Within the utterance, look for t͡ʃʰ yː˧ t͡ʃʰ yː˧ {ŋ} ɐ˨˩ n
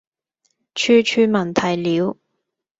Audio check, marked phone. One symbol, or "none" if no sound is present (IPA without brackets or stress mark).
m